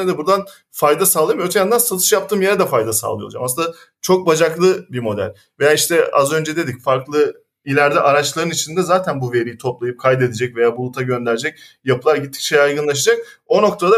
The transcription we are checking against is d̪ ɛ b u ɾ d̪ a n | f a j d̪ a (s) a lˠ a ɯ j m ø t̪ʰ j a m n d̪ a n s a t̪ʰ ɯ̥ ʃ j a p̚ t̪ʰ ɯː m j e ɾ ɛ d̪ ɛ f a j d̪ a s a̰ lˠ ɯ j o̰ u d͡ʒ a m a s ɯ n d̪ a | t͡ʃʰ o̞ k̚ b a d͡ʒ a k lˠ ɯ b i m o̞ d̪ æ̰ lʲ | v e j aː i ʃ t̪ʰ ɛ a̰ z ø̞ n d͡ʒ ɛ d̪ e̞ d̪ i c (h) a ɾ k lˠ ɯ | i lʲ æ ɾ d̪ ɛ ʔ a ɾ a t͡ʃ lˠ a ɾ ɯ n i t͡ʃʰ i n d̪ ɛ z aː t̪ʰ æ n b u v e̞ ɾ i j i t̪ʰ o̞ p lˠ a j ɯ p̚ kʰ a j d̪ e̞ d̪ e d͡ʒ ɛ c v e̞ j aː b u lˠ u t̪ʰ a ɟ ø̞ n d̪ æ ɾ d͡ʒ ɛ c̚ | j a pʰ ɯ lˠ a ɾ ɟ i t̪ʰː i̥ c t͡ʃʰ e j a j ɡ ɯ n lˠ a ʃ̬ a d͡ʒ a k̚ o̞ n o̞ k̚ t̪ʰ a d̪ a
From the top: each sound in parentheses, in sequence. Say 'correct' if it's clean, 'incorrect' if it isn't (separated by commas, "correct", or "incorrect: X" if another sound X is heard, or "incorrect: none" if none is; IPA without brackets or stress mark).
correct, incorrect: f